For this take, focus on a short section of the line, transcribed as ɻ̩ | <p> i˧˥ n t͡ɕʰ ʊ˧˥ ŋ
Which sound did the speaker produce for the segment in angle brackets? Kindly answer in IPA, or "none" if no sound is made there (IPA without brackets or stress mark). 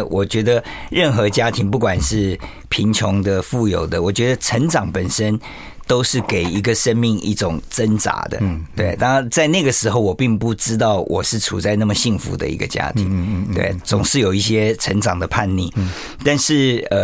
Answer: pʰ